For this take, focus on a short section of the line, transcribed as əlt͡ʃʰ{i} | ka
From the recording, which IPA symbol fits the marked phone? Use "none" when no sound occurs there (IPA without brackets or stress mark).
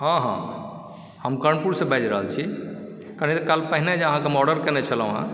i